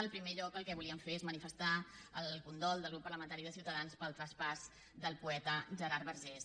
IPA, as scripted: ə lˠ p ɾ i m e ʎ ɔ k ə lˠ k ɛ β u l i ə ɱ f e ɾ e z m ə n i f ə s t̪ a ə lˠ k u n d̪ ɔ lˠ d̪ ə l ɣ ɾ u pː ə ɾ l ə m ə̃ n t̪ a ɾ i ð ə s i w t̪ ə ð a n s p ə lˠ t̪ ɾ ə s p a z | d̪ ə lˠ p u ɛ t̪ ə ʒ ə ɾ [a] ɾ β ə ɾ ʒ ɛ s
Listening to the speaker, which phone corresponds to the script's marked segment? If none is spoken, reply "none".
a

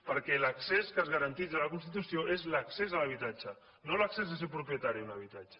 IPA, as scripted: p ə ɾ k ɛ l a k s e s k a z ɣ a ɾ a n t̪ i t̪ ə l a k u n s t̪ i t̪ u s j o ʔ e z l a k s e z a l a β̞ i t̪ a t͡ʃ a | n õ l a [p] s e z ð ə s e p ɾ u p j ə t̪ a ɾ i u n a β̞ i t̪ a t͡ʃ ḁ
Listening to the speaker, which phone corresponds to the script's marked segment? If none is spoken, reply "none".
k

